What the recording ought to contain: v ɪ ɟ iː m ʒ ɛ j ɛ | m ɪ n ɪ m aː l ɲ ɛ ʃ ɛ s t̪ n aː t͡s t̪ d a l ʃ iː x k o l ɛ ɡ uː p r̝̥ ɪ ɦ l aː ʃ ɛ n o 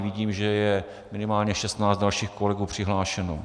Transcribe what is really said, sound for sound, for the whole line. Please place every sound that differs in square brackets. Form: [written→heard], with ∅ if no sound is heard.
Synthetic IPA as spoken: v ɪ ɟ iː m ʒ ɛ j ɛ | m ɪ n ɪ m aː l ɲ ɛ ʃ ɛ s t̪ n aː t͡s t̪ d a l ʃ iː x k o l ɛ ɡ uː p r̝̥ ɪ ɦ l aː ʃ ɛ n o